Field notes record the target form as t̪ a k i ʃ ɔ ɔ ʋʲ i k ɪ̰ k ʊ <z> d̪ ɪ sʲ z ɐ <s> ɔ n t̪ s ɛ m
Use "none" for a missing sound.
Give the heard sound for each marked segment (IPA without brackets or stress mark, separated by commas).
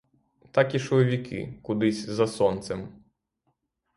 none, s